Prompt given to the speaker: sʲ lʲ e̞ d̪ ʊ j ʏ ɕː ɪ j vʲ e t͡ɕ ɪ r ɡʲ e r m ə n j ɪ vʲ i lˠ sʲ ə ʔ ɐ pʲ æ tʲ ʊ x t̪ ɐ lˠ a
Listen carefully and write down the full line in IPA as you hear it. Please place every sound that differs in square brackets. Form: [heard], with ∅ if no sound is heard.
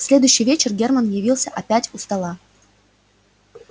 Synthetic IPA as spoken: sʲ lʲ e̞ d̪ ʊ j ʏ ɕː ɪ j vʲ e t͡ɕ ɪ r ɡʲ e r m ə n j ɪ vʲ i lˠ sʲ ə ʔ ɐ pʲ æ tʲ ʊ [s] t̪ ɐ lˠ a